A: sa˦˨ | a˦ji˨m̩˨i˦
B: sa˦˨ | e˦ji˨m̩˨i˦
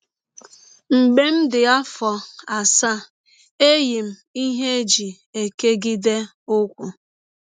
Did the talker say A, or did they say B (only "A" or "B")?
B